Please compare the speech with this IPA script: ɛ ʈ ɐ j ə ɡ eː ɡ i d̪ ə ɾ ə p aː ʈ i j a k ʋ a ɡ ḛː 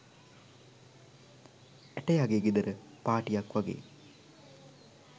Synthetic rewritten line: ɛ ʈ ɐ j a ɡ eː ɡ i d̪ ə ɾ ə p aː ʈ i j a k ʋ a ɡ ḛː

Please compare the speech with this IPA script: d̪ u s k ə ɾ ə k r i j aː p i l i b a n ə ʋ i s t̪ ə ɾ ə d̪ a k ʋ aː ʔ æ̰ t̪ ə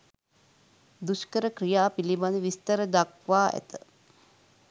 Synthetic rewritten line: d̪ u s k ə ɾ ə k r i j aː p i l i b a n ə ʋ i s t̪ ə ɾ ə d̪ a k ʋ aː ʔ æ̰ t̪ ə

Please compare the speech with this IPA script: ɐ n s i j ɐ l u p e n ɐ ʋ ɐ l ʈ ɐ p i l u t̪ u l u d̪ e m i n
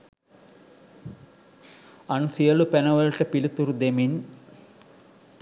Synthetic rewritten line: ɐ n s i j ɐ l u p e n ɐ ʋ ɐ l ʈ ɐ p i l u t̪ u ɾ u d̪ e m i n

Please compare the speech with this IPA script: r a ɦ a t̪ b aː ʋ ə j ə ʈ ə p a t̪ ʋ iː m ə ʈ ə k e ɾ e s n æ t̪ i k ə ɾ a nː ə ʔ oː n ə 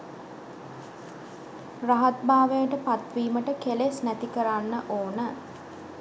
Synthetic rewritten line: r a ɦ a t̪ b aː ʋ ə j ə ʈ ə p a t̪ ʋ iː m ə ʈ ə k e l e s n æ t̪ i k ə ɾ a nː ə ʔ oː n ə

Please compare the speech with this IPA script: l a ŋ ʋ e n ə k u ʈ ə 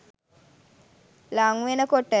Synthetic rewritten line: l a ŋ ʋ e n ə k o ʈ ə

